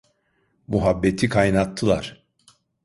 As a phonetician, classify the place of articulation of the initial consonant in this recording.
labial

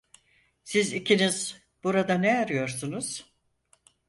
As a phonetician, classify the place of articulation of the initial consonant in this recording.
alveolar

